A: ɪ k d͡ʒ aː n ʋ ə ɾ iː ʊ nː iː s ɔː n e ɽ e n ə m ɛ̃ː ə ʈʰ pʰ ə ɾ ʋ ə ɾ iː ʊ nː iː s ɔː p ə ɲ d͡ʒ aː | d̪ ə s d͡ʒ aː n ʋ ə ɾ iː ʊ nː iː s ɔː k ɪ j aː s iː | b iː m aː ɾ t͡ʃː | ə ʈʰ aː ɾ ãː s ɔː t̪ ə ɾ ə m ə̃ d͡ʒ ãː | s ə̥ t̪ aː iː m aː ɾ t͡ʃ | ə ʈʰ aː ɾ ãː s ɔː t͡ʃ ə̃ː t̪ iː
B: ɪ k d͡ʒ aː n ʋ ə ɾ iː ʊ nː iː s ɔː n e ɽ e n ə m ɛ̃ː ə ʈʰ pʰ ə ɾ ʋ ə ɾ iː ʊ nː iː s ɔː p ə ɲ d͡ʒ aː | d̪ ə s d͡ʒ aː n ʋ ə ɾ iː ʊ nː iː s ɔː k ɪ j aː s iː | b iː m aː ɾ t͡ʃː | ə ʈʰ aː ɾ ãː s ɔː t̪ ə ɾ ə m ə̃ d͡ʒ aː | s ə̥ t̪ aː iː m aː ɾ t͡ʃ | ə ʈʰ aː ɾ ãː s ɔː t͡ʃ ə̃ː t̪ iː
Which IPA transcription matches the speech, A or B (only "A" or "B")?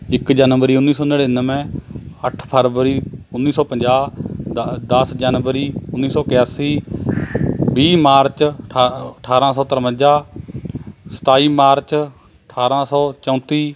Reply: B